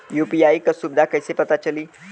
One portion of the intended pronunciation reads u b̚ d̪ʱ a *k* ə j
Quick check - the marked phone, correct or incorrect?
correct